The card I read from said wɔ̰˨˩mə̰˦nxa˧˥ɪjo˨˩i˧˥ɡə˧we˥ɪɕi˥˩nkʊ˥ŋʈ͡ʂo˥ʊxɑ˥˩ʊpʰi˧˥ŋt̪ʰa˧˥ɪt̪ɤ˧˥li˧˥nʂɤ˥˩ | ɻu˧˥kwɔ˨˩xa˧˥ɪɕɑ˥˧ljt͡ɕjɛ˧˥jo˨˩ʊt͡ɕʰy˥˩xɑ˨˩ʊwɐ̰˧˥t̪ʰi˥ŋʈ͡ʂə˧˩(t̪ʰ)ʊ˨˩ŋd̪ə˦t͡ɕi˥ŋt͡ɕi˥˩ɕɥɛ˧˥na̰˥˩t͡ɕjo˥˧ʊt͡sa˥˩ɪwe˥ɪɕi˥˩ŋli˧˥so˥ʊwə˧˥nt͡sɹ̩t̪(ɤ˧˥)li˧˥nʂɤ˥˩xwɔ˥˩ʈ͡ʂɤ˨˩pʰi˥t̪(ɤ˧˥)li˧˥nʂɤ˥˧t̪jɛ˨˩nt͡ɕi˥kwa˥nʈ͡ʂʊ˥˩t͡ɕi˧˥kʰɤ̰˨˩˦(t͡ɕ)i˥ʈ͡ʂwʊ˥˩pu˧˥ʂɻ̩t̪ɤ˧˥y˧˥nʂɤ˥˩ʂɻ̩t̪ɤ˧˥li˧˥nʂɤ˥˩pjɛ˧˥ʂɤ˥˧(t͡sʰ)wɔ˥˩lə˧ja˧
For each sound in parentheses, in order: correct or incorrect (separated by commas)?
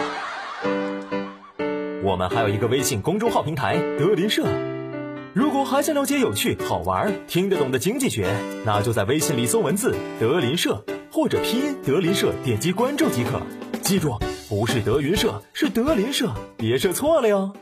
incorrect, correct, correct, correct, correct